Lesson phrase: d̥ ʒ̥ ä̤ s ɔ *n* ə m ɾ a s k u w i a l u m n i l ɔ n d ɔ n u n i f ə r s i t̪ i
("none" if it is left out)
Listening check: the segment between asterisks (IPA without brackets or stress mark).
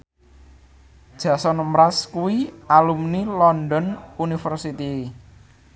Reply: n